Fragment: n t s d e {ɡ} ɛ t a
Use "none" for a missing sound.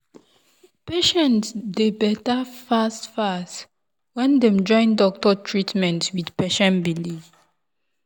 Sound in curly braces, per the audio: b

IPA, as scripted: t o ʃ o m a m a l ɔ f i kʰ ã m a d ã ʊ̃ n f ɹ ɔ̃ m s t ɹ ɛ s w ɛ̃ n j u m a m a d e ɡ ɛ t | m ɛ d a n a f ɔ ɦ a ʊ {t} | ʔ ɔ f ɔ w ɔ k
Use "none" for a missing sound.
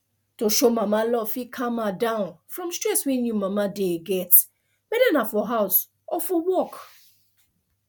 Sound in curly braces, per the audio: s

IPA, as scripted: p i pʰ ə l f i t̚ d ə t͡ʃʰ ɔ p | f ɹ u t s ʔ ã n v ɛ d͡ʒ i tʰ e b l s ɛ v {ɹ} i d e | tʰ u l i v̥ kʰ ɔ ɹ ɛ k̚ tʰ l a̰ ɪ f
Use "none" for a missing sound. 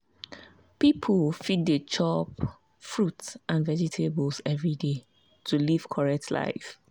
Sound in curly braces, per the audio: ɹ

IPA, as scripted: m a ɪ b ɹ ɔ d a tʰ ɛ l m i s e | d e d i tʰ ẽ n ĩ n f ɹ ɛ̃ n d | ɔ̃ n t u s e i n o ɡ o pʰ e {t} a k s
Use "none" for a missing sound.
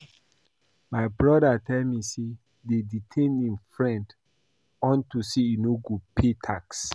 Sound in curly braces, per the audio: tʰ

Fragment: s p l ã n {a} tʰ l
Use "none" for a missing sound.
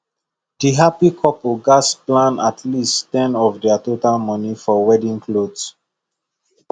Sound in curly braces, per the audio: a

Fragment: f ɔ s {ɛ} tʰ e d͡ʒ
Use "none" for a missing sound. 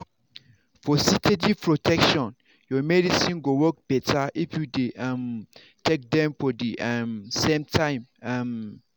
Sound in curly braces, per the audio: i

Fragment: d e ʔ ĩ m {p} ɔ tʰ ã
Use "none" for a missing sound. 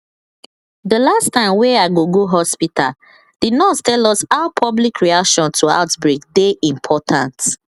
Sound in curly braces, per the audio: pʰ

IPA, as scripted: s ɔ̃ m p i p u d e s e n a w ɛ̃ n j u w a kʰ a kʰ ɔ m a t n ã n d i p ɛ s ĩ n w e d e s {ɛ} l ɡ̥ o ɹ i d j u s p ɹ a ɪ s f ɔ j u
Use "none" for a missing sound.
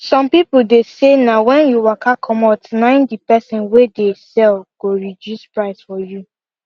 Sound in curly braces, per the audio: ɛ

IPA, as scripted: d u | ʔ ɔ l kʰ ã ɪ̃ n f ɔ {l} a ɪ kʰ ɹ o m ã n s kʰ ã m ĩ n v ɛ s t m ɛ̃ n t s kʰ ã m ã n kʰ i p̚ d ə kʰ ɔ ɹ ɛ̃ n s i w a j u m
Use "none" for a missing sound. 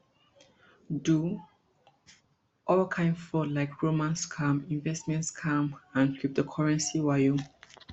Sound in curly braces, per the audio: l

